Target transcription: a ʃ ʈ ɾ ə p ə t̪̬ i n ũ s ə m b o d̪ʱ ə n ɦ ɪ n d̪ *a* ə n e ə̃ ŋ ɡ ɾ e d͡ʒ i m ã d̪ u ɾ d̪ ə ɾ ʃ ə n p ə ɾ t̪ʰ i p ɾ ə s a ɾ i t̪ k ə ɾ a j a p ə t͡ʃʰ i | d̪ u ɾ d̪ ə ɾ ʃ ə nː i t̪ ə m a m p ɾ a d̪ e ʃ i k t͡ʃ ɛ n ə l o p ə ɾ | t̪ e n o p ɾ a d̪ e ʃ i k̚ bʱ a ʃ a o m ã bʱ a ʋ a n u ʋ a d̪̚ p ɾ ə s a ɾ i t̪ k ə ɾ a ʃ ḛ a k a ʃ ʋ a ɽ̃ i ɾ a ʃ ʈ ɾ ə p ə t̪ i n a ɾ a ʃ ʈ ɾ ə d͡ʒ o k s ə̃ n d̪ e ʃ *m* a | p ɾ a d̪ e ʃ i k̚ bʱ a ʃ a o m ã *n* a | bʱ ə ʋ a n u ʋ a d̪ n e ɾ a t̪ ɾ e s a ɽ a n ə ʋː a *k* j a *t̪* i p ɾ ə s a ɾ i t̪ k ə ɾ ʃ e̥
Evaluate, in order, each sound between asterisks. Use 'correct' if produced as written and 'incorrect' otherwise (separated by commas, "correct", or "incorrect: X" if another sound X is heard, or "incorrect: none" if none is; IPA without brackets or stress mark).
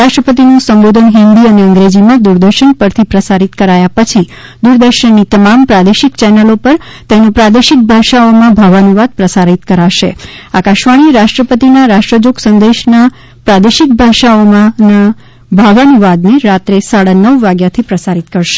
incorrect: i, incorrect: n, correct, incorrect: ɡ, incorrect: t̪ʰ